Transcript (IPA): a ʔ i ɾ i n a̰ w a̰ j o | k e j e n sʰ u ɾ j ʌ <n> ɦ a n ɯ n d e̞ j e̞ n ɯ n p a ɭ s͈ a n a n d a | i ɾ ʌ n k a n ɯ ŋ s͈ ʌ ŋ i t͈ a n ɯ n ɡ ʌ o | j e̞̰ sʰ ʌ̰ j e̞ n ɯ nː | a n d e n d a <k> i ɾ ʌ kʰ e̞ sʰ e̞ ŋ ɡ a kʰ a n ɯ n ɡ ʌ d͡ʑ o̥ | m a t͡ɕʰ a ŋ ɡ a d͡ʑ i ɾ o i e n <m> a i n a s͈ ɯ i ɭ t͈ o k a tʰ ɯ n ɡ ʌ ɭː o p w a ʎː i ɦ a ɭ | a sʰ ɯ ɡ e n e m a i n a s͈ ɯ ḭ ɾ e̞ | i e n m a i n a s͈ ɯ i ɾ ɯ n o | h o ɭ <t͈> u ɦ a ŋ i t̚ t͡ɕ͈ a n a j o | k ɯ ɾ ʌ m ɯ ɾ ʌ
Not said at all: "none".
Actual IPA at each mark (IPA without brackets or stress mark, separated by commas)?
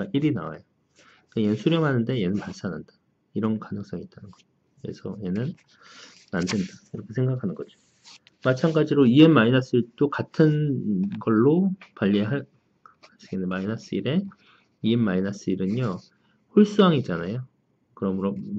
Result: ŋ, k, m, s͈